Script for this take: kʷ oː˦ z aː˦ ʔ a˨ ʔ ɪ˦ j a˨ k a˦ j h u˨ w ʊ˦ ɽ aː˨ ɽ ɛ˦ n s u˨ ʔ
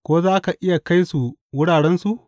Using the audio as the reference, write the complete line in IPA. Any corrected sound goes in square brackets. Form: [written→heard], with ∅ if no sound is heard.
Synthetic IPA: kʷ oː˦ z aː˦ [ʔ→k] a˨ ʔ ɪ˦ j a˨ k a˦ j [h→s] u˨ w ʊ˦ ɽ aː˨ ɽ ɛ˦ n s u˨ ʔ